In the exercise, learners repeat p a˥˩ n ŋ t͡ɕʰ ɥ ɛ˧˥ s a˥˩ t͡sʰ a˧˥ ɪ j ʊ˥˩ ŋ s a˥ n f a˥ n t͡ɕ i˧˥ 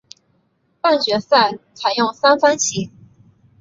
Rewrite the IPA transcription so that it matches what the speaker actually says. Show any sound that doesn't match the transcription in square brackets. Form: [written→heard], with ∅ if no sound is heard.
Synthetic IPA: p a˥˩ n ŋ [t͡ɕʰ→t͡ɕ] ɥ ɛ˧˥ s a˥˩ t͡sʰ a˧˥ ɪ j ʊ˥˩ ŋ s a˥ n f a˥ n [t͡ɕ→t͡ɕʰ] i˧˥